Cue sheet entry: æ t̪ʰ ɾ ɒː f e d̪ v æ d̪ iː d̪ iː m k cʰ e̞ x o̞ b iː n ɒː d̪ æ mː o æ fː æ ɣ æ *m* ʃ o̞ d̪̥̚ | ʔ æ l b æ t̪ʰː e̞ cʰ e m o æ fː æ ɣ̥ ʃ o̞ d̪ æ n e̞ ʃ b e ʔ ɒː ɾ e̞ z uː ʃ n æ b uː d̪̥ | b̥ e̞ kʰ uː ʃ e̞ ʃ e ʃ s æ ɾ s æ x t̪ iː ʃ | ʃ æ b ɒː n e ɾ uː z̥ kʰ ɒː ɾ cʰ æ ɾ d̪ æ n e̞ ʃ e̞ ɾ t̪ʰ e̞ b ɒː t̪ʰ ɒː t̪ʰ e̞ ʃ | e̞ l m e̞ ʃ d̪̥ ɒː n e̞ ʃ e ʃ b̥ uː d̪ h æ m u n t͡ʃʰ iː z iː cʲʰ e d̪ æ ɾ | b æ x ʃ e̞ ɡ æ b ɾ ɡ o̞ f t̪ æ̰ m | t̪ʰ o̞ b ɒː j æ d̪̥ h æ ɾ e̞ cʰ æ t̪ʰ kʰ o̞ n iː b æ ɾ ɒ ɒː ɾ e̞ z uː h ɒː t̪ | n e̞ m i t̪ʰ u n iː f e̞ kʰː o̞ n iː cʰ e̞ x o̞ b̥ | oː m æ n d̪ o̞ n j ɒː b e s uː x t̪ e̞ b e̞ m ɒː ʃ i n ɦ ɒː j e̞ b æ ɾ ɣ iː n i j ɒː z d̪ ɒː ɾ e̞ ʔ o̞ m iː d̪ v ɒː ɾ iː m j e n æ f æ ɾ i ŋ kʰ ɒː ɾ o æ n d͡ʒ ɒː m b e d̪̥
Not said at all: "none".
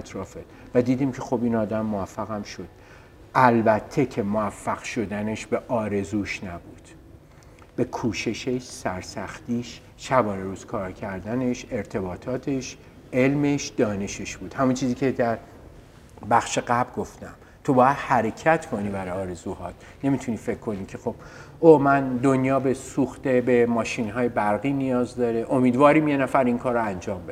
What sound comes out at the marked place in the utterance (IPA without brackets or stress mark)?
m